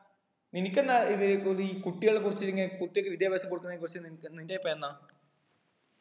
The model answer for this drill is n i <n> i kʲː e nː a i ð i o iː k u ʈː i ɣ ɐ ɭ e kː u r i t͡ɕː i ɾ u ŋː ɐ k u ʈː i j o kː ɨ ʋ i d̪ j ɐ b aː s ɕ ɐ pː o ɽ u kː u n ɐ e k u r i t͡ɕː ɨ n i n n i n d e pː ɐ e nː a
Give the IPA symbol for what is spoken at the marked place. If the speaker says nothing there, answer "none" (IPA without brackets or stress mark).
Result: n